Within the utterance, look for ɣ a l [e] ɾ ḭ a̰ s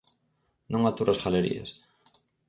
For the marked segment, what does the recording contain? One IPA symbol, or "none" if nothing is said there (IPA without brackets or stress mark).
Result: e